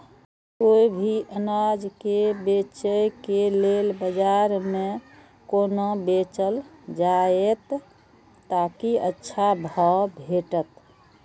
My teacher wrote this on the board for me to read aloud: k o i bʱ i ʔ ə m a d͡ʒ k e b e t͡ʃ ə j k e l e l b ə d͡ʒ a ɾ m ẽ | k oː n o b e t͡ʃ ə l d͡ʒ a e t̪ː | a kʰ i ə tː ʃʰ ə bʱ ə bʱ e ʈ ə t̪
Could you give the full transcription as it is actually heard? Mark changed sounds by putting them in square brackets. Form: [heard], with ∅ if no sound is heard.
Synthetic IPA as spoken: k o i bʱ i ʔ ə [n] a d͡ʒ k e b e t͡ʃ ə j k e l e l b ə d͡ʒ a ɾ m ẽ | k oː n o b e t͡ʃ ə l d͡ʒ a e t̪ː | a [k] i ə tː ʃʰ [a] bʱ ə bʱ e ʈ ə t̪